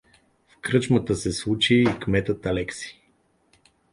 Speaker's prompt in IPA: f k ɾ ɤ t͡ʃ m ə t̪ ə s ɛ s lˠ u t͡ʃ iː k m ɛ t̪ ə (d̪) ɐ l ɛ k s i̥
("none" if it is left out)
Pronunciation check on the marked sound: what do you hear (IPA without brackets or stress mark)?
t̪